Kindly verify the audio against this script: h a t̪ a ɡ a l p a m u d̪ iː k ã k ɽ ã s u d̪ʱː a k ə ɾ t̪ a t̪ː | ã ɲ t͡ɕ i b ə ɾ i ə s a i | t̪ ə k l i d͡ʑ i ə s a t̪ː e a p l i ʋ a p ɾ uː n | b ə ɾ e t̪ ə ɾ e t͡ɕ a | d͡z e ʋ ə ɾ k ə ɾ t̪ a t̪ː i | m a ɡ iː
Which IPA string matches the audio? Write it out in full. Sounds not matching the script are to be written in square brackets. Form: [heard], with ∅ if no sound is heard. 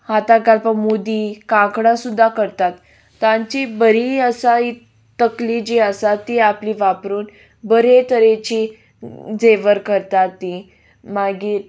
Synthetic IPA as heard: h a t̪ a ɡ a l p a m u d̪ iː k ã k ɽ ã s u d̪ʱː a k ə ɾ t̪ a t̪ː | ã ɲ t͡ɕ i b ə ɾ i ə s a i | t̪ ə k l i d͡ʑ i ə s a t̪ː [i] a p l i ʋ a p ɾ uː n | b ə ɾ e t̪ ə ɾ e t͡ɕ [i] | d͡z e ʋ ə ɾ k ə ɾ t̪ a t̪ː i | m a ɡ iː